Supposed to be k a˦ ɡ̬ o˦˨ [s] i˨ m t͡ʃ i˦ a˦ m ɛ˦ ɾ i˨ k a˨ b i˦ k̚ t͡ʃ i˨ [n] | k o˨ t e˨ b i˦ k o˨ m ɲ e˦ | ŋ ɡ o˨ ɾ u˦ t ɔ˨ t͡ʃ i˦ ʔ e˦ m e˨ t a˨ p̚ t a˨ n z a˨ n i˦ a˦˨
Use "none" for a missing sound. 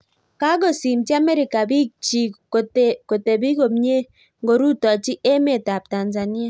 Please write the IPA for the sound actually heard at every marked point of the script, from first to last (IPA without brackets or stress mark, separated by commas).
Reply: s, none